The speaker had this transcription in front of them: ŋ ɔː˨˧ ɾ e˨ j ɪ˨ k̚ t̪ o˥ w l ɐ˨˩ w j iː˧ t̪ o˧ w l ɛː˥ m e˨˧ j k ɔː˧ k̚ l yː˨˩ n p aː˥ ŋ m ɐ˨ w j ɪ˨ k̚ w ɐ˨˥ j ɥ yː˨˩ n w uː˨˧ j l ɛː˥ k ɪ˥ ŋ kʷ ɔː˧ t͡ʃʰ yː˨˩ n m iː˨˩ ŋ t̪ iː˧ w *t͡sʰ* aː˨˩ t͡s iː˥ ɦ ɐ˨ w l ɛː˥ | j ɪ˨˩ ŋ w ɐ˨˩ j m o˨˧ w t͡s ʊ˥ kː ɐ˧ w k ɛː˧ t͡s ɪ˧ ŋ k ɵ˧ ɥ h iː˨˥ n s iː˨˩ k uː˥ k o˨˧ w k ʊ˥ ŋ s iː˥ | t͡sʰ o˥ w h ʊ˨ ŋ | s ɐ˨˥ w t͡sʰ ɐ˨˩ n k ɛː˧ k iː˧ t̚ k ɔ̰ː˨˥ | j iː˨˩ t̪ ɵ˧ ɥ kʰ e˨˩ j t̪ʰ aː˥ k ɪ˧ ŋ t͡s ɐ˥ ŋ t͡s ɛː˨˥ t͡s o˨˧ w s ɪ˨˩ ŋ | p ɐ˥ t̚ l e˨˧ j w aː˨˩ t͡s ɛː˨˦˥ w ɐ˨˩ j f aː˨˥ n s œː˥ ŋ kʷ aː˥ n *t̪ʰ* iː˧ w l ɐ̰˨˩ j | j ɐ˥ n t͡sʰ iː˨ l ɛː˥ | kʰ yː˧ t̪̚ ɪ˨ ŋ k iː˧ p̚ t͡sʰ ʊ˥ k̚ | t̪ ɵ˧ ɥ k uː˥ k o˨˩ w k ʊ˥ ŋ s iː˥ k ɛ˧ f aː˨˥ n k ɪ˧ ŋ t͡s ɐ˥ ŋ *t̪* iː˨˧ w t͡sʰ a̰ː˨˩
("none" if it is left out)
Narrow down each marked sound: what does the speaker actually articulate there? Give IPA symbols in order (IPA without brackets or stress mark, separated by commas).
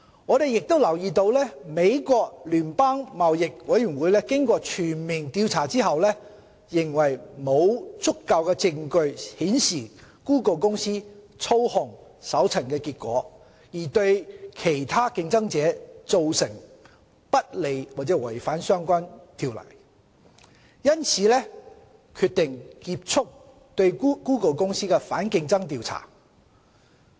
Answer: t͡sʰ, t̪ʰ, t̪